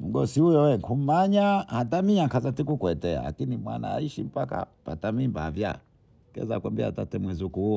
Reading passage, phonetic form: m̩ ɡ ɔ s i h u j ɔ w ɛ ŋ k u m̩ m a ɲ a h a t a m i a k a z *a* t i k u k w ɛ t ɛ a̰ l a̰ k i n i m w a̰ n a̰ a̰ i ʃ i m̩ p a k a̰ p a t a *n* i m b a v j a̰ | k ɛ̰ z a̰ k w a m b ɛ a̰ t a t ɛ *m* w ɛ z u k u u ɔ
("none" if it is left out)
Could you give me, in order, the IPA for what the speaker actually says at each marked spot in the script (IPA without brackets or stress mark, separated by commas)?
a, m, m